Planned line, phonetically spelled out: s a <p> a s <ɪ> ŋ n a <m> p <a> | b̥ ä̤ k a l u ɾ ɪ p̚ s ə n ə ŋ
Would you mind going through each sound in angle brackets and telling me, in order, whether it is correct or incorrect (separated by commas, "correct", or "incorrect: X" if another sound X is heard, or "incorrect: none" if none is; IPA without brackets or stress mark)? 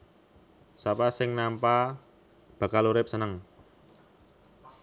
correct, correct, correct, correct